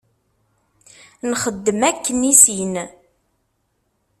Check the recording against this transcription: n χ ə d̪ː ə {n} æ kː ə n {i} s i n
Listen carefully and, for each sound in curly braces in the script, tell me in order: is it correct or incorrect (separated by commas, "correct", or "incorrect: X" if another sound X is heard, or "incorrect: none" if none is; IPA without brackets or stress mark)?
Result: incorrect: m, correct